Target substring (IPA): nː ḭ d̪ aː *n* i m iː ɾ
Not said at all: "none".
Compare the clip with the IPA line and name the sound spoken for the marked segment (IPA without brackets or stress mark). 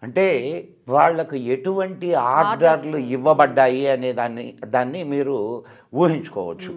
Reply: nː